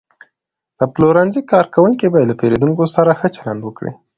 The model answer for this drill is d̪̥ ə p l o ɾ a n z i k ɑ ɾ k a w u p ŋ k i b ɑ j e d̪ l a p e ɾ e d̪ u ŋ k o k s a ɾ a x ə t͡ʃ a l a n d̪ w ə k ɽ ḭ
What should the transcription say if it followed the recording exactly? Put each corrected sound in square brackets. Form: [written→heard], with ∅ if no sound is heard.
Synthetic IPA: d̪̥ ə p l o ɾ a n z i k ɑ ɾ k a w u [p→∅] ŋ k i b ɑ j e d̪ l a p e ɾ e d̪ u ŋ k o [k→∅] s a ɾ a x ə t͡ʃ a l a n d̪ w ə k ɽ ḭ

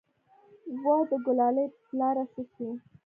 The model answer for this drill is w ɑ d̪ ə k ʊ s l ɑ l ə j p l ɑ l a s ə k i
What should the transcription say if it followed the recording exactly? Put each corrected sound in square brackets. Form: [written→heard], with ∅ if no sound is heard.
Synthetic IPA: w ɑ d̪ ə [k→ɡ] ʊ [s→∅] l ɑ l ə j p l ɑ [l→ɾ] a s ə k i

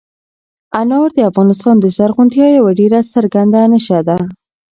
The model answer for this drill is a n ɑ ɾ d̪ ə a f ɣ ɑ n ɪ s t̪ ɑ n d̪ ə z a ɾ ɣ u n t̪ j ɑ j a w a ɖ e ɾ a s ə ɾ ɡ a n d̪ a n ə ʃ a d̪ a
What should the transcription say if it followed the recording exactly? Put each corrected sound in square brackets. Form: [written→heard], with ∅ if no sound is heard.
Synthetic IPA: a n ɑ ɾ d̪ ə a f ɣ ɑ n ɪ s t̪ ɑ n d̪ ə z a ɾ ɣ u n t̪ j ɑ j a w a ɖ e ɾ a s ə ɾ ɡ a n d̪ a n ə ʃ a d̪ a

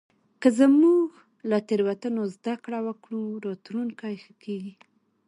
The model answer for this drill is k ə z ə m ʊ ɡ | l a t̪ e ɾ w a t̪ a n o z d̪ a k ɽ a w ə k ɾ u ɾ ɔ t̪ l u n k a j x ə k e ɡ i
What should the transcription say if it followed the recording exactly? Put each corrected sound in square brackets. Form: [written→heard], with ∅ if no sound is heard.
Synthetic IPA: k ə z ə m [ʊ→u] ɡ | l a t̪ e ɾ w a t̪ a n o z d̪ a k ɽ a w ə k [ɾ→ɽ] u ɾ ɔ t̪ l u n k a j x ə k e ɡ i

